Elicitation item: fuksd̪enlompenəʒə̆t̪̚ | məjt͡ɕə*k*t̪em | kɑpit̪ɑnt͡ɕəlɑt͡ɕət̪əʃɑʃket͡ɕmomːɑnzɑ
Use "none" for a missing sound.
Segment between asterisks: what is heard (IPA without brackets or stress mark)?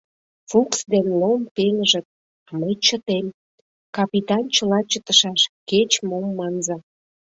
none